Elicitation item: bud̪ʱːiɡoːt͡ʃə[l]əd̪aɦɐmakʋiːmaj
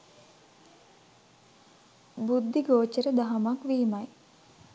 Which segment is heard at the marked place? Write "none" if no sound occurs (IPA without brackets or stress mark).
ɾ